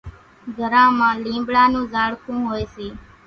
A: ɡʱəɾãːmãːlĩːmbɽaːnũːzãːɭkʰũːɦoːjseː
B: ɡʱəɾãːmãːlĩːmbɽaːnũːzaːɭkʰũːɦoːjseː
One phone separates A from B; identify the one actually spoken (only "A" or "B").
B